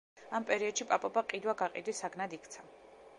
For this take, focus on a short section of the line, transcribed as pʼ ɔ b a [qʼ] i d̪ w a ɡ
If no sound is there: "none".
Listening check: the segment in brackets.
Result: qʼ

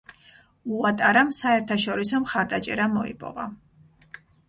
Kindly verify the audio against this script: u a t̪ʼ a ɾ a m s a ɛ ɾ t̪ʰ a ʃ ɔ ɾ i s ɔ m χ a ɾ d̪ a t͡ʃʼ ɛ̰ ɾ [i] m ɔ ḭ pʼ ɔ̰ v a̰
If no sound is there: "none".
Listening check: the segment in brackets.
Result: a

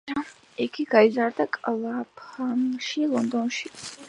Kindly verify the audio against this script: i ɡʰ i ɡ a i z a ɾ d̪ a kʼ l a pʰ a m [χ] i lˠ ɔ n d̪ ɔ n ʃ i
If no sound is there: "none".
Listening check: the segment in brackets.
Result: ʃ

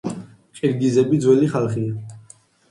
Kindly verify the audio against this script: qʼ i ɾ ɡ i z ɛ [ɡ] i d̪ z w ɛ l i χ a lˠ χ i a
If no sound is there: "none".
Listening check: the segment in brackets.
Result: b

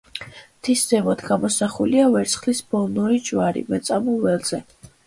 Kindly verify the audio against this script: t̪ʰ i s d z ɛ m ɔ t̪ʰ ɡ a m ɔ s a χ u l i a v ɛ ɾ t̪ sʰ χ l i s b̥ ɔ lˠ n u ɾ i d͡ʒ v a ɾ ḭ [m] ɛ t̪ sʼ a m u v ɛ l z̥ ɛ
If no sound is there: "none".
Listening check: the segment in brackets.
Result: m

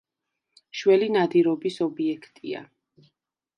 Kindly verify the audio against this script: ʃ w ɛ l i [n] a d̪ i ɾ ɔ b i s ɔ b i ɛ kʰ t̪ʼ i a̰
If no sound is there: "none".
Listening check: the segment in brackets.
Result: n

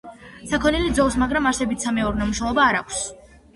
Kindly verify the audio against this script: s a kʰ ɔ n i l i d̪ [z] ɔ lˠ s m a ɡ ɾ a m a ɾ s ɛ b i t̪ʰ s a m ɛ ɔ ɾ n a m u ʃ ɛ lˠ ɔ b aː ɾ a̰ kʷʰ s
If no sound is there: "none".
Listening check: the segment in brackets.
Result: z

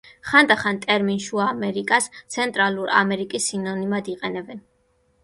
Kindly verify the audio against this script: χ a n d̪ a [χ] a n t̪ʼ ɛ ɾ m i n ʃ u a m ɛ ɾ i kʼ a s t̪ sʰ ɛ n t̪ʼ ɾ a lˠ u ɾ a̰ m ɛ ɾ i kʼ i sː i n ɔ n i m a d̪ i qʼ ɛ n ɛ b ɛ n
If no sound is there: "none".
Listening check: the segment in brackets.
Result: χ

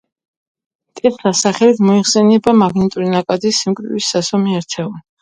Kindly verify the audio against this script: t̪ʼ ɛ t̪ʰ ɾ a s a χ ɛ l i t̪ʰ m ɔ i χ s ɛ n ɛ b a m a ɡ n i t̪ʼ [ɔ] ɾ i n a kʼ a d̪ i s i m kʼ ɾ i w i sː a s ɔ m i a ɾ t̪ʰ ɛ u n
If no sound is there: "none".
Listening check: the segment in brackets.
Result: u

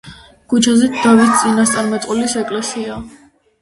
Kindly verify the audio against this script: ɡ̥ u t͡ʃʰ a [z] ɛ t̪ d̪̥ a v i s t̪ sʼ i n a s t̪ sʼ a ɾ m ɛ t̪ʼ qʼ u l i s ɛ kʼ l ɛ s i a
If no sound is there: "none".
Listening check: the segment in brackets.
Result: z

